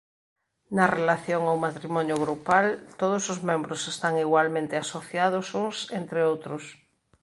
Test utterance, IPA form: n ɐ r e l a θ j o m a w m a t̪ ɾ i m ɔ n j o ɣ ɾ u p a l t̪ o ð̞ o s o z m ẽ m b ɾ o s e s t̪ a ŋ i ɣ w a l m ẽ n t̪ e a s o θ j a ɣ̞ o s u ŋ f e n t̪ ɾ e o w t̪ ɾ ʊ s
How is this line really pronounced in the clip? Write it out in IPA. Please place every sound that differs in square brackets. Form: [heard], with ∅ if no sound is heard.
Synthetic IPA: n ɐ r e l a θ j o [ŋ] a w m a t̪ ɾ i m ɔ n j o ɣ ɾ u p a l t̪ o ð̞ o s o z m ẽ m b ɾ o s e s t̪ a ŋ i ɣ w a l m ẽ n t̪ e a s o θ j a [ð̞] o s u ŋ [s] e n t̪ ɾ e o w t̪ ɾ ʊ s

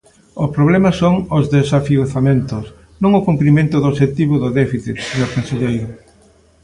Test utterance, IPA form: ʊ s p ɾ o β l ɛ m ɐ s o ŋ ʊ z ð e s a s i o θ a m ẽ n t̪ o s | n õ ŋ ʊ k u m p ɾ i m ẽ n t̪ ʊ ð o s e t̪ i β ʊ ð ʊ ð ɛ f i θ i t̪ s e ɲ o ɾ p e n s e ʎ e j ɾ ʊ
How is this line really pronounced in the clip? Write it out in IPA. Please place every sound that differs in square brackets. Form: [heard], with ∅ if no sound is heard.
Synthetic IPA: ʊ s p ɾ o β l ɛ m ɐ s o ŋ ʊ z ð e s a [f] i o θ a m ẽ n t̪ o s | n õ ŋ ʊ k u m p ɾ i m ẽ n t̪ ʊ ð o [ʃ] e t̪ i β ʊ ð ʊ ð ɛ f i θ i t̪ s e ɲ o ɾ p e n s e ʎ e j ɾ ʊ

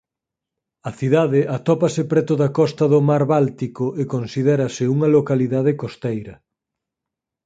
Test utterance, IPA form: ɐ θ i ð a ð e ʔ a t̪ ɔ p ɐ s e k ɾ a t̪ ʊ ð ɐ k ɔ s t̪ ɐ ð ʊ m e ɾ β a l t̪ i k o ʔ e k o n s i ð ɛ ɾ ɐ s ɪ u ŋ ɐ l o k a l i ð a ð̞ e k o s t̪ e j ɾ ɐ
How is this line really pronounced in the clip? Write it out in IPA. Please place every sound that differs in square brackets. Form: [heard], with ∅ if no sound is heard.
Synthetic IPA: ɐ θ i ð a ð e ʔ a t̪ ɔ p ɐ s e [p] ɾ [ɛ] t̪ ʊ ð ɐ k ɔ s t̪ ɐ ð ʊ m [a] ɾ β a l t̪ i k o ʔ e k o n s i ð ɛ ɾ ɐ s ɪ u ŋ ɐ l o k a l i ð a ð̞ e k o s t̪ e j ɾ ɐ

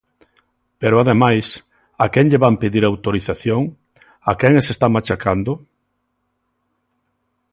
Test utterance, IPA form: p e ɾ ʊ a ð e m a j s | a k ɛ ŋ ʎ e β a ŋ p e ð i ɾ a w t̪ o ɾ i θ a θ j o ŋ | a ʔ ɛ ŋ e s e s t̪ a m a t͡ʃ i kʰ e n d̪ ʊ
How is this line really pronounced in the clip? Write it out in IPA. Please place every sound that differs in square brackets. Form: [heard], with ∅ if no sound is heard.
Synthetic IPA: p e ɾ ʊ a ð e m a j s | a k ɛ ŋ ʎ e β a [m] p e ð i ɾ a w t̪ o ɾ i θ a θ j o ŋ | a [k] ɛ ŋ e s e s t̪ a m a t͡ʃ [a] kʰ [a] n d̪ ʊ

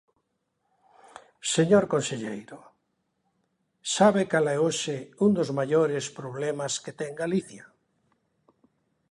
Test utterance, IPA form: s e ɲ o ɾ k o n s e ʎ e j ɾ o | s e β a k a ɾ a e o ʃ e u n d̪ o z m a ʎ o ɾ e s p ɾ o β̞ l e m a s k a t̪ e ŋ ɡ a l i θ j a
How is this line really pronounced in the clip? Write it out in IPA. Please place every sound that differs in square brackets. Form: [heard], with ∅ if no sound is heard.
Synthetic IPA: s e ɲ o ɾ k o n s e ʎ e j ɾ o | s [a] β [e] k a [l] a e o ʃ e u n d̪ o z m a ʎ o ɾ e s p ɾ o β̞ l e m a s k [e] t̪ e ŋ ɡ a l i θ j a

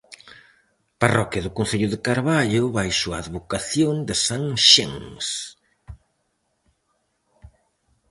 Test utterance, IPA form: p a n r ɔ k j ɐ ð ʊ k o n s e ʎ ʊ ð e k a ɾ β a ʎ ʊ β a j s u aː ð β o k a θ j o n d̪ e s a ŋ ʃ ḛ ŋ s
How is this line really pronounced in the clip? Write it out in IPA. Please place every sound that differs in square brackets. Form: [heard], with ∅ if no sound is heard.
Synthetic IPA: p a [∅] r ɔ k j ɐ ð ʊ k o n [θ] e ʎ ʊ ð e k a ɾ β a ʎ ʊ β a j s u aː ð β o k a θ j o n d̪ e s a ŋ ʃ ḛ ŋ s

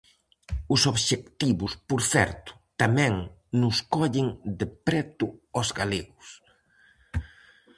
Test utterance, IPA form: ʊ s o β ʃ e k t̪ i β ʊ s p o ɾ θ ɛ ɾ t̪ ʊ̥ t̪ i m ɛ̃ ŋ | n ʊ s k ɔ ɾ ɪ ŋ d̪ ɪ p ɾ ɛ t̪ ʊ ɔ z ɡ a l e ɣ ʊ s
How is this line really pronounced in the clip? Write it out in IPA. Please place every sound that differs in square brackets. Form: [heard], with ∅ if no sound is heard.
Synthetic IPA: ʊ s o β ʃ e k t̪ i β ʊ s p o ɾ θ ɛ ɾ t̪ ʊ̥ t̪ [a] m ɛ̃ ŋ | n ʊ s k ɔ [ʎ] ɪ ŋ d̪ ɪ p ɾ ɛ t̪ ʊ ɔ z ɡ a l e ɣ ʊ s

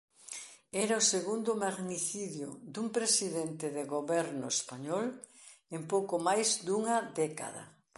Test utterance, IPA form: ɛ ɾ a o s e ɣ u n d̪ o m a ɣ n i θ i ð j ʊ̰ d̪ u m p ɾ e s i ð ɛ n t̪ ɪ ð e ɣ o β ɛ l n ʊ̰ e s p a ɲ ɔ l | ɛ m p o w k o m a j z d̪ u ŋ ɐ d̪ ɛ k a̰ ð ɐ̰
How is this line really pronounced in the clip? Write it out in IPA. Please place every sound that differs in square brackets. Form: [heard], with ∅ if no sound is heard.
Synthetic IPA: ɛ ɾ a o s e ɣ u n d̪ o m a ɣ n i θ i ð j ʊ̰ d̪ u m p ɾ e s i ð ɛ n t̪ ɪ ð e ɣ o β ɛ [ɾ] n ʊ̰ e s p a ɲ ɔ l | [e] m p o w k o m a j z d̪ u ŋ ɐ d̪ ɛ k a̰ ð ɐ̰

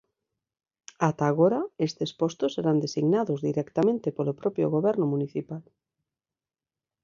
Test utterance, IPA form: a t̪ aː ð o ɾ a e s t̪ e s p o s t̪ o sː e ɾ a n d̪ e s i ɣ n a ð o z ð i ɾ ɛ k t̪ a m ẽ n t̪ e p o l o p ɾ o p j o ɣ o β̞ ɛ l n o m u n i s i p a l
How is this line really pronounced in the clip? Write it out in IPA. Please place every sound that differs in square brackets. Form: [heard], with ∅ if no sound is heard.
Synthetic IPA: a t̪ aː [ɣ] o ɾ a e s t̪ e s p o s t̪ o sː e ɾ a n d̪ e s i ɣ n a ð o z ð i ɾ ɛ k t̪ a m ẽ n t̪ e p o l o p ɾ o p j o ɣ o β̞ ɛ [ɾ] n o m u n i [θ] i p a l

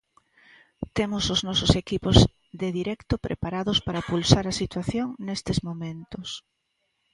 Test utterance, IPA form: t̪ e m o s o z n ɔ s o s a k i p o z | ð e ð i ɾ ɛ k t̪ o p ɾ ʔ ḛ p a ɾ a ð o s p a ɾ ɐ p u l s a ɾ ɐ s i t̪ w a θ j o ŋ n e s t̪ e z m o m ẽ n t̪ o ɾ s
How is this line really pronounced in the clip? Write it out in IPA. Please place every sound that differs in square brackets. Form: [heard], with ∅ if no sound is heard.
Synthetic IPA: t̪ e m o s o z n ɔ s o s [e] k i p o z | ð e ð i ɾ ɛ k t̪ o p ɾ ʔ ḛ p a ɾ a ð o s p a ɾ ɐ p u l s a ɾ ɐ s i t̪ w a θ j o ŋ n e s t̪ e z m o m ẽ n t̪ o [∅] s

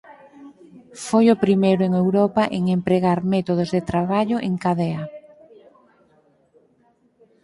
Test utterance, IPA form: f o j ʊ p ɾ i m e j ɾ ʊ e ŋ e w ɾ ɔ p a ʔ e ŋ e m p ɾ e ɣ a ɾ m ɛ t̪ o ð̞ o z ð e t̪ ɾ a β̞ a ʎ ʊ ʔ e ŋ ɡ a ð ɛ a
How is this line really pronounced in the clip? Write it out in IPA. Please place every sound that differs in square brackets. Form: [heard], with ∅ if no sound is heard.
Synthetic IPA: f o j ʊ p ɾ i m e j ɾ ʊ e ŋ e w ɾ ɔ p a ʔ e ŋ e m p ɾ e ɣ a ɾ m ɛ t̪ o ð̞ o z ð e t̪ ɾ a β̞ a ʎ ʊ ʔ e ŋ [k] a ð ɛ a

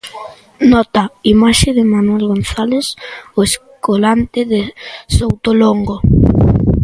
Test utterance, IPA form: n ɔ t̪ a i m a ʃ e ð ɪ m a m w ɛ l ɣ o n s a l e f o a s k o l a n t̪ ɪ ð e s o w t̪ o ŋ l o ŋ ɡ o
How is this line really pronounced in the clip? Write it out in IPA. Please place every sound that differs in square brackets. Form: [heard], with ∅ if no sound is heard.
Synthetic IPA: n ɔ t̪ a i m a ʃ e ð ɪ m a [n] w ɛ l ɣ o n [θ] a l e [s] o [e] s k o l a n t̪ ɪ ð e s o w t̪ o [∅] l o ŋ ɡ o

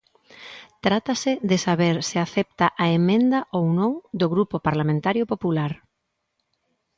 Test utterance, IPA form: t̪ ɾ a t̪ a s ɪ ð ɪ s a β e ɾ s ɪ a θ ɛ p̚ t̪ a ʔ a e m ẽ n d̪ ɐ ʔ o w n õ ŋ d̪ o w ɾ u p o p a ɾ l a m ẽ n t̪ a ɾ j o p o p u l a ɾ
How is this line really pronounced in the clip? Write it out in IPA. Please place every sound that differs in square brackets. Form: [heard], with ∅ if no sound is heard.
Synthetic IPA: t̪ ɾ a t̪ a s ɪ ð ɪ s a β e ɾ s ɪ a θ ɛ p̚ t̪ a ʔ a e m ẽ n d̪ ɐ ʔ o w n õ ŋ d̪ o [ɣ] ɾ u p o p a ɾ l a m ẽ n t̪ a ɾ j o p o p u l a ɾ

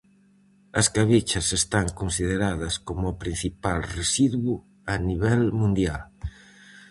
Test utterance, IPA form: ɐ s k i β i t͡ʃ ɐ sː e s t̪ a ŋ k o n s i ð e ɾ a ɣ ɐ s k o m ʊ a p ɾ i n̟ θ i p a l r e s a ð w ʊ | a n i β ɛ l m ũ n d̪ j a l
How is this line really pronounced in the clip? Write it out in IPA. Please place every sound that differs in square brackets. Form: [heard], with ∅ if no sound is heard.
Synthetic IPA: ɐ s k [a] β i t͡ʃ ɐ [s] e s t̪ a ŋ k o n s i ð e ɾ a [ð] ɐ s k o m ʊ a p ɾ i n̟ θ i p a l r e s [i] ð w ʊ | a n i β ɛ l m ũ n d̪ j a l

